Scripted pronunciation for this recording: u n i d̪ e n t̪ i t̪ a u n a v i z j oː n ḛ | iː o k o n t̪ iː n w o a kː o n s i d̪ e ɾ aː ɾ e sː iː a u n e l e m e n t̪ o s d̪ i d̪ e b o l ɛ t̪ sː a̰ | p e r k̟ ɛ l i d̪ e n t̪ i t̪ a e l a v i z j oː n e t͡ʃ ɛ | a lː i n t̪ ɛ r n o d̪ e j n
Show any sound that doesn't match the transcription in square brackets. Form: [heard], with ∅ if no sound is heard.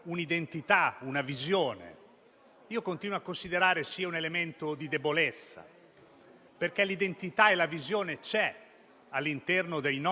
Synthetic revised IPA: u n i d̪ e n t̪ i t̪ a u n a v i z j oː n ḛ | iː o k o n t̪ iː n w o a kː o n s i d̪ e ɾ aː ɾ e [s] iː a u n e l e m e n t̪ o [∅] d̪ i d̪ e b o l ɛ t̪ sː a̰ | p e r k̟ ɛ l i d̪ e n t̪ i t̪ a e l a v i z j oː n e t͡ʃ ɛ | a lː i n t̪ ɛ r n o d̪ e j n